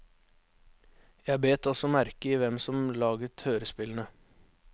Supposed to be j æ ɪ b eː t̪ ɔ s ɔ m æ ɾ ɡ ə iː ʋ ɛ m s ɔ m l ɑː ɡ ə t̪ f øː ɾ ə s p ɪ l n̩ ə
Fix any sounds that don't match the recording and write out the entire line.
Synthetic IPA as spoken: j æ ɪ b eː t̪ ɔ s ɔ m æ ɾ k ə iː ʋ ɛ m s ɔ m l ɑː ɡ ə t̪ h øː ɾ ə s p ɪ l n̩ ə

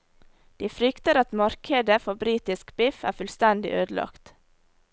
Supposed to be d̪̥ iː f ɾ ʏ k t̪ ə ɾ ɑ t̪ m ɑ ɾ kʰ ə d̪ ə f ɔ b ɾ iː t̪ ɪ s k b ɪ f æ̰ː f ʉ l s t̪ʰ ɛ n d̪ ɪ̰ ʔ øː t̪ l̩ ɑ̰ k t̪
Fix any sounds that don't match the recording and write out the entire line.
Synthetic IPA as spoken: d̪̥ iː f ɾ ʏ k t̪ ə ɾ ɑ t̪ m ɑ ɾ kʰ ə d̪ ə f ɔ b ɾ iː t̪ ɪ s k b ɪ f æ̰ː f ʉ l s t̪ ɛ n d̪ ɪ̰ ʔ øː d̪ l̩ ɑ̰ k t̪

